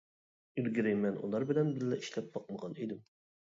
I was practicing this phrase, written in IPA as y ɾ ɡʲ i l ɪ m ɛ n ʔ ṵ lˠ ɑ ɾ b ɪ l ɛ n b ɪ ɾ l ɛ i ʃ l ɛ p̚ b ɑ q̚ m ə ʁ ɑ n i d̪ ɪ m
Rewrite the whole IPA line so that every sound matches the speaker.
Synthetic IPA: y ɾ ɡʲ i ɾ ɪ m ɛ n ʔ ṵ lˠ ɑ ɾ b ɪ l ɛ n b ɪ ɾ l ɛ i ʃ l ɛ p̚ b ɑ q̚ m ə ʁ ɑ n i d̪ ɪ m